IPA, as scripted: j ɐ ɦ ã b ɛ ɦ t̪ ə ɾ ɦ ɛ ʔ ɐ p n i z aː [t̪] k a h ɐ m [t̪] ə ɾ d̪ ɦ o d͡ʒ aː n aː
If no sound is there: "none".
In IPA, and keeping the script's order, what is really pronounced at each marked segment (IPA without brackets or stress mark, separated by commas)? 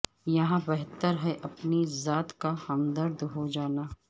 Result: t̪, d̪